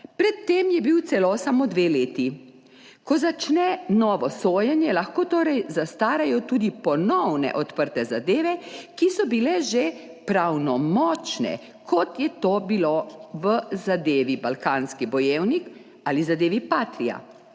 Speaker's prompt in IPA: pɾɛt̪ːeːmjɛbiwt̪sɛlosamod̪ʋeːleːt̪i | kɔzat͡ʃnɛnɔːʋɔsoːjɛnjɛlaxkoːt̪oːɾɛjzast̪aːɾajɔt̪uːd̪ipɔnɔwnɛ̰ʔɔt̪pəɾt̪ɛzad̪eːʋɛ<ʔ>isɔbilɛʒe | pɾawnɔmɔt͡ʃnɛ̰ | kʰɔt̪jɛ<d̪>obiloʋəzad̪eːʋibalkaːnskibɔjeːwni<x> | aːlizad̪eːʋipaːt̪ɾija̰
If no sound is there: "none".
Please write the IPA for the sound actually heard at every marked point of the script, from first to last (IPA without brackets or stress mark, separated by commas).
k, t̪, k